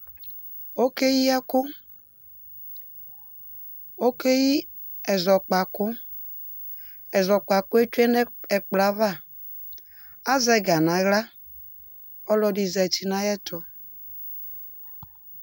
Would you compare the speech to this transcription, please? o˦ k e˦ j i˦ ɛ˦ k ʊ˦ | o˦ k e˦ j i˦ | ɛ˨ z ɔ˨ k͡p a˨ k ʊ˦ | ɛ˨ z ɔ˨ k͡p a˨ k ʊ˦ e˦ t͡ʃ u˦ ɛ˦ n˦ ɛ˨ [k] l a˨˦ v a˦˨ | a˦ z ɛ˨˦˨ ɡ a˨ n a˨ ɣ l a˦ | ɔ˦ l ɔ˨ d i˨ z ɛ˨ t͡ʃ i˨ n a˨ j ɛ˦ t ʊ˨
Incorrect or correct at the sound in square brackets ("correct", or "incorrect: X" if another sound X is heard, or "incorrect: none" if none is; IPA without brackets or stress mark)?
incorrect: k͡p